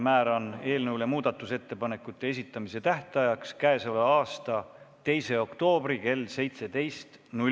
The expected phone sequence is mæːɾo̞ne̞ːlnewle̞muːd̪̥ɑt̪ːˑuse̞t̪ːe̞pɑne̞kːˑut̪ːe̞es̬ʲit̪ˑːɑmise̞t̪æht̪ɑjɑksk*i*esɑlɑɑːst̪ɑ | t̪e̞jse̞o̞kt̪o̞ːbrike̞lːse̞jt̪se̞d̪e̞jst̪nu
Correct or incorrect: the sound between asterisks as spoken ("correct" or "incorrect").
incorrect